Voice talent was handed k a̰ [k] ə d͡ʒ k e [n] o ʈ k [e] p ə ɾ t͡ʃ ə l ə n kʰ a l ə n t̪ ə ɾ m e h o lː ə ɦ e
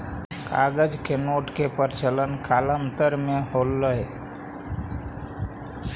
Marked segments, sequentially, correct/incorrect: incorrect: ɡ, correct, correct

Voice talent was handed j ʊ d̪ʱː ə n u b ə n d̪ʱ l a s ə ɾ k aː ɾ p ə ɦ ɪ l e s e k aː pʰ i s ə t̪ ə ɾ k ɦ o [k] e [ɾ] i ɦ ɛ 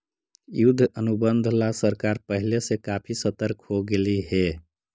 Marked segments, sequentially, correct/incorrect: incorrect: ɡ, incorrect: l

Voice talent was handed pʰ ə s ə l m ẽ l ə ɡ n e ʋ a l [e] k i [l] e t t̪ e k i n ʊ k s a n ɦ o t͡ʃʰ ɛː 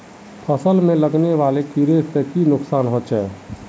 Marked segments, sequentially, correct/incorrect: correct, incorrect: ɾ

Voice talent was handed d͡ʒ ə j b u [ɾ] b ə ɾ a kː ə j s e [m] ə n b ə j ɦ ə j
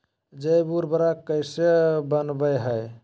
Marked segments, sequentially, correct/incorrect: correct, incorrect: b

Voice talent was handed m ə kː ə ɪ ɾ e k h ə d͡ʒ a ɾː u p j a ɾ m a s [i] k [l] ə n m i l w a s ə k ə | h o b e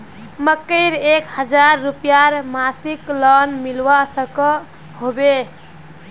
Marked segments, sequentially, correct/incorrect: correct, correct

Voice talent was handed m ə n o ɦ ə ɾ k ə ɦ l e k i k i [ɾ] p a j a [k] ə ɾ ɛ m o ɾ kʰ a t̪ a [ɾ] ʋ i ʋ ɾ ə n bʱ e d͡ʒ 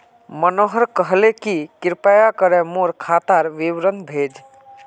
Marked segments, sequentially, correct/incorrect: correct, correct, correct

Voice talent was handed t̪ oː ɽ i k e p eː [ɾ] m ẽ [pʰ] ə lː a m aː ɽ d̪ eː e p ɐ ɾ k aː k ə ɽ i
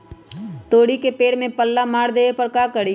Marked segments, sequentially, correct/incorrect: incorrect: ɽ, incorrect: p

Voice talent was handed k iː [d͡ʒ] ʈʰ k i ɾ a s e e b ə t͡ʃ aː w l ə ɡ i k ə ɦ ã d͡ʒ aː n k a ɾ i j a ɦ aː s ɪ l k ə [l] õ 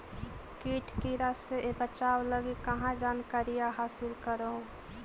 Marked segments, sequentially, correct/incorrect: incorrect: none, incorrect: ɾ

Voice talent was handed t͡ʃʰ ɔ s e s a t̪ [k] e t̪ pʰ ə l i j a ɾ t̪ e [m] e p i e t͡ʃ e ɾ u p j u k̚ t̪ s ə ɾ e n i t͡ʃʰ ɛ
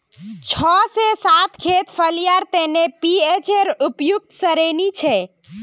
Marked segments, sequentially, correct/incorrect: incorrect: kʰ, incorrect: n

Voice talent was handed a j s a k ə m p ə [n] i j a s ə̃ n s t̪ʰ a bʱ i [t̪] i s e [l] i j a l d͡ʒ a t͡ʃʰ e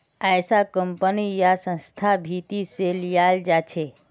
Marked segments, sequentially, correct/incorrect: correct, correct, correct

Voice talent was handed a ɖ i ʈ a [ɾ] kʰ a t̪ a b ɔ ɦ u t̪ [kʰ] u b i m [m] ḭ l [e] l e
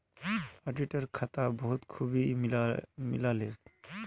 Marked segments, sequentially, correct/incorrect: correct, correct, correct, incorrect: a

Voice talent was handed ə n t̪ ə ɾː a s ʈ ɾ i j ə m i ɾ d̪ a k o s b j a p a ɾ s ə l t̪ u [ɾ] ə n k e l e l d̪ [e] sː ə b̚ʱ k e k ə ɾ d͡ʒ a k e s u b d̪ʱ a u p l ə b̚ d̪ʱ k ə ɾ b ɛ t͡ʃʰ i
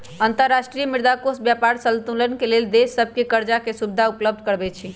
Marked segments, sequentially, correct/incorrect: incorrect: l, correct

